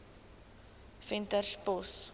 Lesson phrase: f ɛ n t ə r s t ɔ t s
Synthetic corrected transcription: f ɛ n t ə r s p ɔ s